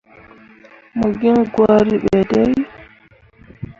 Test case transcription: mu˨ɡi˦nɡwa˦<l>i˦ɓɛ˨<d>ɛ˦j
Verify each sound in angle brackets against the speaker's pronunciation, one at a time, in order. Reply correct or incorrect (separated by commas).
incorrect, correct